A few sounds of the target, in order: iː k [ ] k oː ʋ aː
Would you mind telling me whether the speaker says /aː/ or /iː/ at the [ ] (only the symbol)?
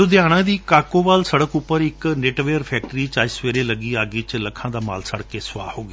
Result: aː